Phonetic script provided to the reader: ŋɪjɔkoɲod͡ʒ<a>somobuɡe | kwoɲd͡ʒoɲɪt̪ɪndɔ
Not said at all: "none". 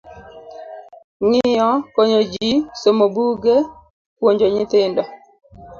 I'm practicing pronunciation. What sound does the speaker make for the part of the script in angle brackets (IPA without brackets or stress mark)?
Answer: i